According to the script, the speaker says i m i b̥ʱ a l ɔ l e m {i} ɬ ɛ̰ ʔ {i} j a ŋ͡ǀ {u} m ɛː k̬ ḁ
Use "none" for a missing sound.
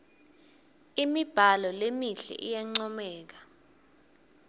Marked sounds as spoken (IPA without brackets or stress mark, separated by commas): i, i, ɔ